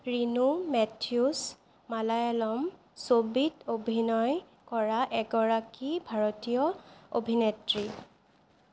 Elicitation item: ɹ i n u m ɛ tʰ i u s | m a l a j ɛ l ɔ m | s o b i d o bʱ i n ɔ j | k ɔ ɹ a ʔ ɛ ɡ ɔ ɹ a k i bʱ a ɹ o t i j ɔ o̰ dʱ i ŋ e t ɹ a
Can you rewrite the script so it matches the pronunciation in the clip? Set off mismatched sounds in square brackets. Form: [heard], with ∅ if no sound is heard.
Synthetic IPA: ɹ i n u m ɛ tʰ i u s | m a l a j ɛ l ɔ m | s o b i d o bʱ i n ɔ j | k ɔ ɹ a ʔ ɛ ɡ ɔ ɹ a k i bʱ a ɹ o t i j ɔ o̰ [bʱ] i [n] e t ɹ [i]